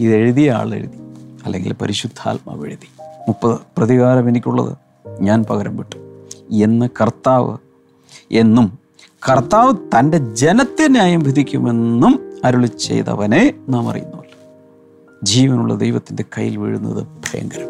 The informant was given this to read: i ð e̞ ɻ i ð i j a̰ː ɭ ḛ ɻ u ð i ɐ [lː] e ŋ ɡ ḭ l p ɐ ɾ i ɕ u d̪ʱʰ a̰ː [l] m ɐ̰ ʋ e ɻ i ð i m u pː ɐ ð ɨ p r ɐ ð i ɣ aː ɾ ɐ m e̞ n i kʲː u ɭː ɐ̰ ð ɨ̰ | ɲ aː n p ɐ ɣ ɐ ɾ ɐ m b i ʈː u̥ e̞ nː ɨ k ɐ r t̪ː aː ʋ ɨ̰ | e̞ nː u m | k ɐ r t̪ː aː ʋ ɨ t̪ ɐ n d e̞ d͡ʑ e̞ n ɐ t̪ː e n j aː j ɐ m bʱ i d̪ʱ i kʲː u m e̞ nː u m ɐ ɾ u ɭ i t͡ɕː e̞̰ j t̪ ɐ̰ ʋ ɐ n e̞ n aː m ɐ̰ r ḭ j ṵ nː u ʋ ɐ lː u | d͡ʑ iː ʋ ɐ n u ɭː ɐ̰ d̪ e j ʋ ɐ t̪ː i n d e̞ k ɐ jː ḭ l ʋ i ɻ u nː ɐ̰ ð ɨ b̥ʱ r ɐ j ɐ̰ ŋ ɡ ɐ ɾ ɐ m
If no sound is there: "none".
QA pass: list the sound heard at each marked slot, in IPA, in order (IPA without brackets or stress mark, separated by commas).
lː, l